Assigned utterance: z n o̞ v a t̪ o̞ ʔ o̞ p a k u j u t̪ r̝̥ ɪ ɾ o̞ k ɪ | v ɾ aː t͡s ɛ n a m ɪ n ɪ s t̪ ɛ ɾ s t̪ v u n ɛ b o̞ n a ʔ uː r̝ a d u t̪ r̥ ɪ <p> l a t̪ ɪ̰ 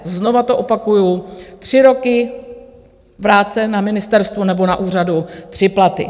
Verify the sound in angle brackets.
correct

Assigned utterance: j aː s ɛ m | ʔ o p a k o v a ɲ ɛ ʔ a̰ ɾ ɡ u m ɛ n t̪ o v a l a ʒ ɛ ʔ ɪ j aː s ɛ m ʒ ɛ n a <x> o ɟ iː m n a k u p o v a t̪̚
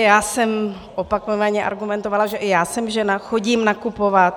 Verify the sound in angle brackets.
correct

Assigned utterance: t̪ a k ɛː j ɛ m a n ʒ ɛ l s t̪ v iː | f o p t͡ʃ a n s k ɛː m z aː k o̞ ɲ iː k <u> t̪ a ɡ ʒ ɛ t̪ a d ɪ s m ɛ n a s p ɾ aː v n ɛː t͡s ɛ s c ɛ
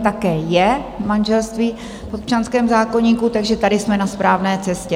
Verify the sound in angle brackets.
correct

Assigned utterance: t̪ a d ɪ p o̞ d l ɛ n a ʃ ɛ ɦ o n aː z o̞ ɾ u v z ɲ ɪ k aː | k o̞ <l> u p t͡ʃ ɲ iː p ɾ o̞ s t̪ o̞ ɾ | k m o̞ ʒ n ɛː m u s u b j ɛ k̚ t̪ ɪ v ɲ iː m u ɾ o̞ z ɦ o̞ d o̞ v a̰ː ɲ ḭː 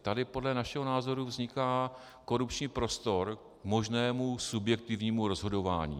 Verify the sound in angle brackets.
incorrect: ɾ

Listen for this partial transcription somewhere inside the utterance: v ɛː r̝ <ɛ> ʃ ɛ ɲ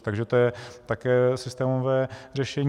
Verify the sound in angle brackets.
correct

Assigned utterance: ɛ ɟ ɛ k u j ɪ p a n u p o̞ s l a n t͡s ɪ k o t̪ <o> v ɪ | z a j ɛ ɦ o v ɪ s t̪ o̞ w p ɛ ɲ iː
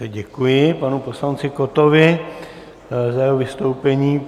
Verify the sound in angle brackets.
correct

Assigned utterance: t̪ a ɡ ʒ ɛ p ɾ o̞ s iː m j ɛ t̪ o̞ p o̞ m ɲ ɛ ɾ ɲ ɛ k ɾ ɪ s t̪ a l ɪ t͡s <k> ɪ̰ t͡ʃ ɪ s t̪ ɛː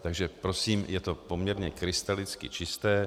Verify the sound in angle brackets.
correct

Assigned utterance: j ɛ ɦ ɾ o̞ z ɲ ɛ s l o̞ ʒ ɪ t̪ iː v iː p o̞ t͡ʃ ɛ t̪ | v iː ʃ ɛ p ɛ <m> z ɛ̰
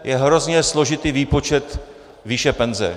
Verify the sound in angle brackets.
incorrect: n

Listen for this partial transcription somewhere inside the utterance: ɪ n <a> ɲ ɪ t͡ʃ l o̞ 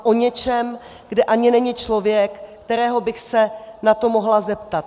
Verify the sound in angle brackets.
incorrect: ɛ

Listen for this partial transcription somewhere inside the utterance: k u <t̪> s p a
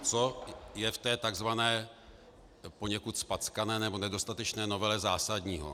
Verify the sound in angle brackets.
correct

